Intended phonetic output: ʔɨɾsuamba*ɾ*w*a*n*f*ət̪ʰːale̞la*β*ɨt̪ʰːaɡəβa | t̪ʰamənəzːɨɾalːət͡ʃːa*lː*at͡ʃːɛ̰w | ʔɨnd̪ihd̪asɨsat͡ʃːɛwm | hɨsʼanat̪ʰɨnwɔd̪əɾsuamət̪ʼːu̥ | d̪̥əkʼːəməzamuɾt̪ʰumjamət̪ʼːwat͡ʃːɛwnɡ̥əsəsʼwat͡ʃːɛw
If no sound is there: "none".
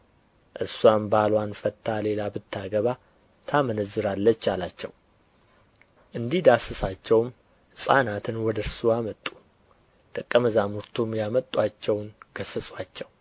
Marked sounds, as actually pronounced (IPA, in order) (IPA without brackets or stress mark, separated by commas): l, a, f, b, l